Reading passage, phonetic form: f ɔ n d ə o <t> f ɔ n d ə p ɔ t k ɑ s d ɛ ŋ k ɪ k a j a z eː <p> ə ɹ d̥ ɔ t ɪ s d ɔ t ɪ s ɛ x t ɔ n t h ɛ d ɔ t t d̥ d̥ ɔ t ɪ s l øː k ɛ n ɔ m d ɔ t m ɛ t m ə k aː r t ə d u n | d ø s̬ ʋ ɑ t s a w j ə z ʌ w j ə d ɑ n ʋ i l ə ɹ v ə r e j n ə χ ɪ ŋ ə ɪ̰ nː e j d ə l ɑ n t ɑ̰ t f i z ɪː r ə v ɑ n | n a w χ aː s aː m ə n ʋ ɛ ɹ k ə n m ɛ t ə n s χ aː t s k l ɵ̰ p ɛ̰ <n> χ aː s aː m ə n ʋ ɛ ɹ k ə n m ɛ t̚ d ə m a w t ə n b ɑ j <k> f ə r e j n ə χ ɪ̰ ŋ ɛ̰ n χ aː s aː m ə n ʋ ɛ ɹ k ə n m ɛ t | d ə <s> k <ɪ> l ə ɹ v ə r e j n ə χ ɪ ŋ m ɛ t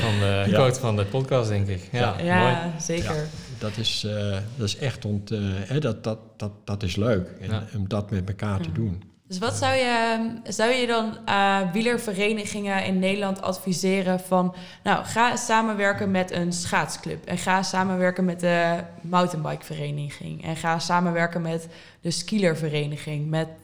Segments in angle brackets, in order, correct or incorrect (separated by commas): correct, incorrect, correct, correct, correct, incorrect